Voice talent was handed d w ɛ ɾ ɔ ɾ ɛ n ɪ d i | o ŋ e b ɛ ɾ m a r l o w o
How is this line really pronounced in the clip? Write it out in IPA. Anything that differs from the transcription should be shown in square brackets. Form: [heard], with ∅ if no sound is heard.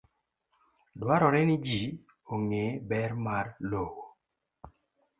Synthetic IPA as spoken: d w [a] ɾ ɔ ɾ ɛ n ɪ [d͡ʒ] i | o ŋ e b ɛ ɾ m a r l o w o